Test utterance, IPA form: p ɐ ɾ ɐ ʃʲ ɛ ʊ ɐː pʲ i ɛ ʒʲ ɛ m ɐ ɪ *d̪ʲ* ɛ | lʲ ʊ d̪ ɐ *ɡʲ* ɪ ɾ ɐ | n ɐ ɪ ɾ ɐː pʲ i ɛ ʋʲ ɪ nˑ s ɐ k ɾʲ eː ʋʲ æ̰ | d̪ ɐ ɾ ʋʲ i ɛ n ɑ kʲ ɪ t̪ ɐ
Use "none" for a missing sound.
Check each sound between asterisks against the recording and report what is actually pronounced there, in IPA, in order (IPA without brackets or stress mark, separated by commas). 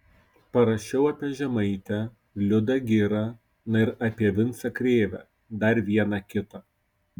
t̪ʲ, ɡʲ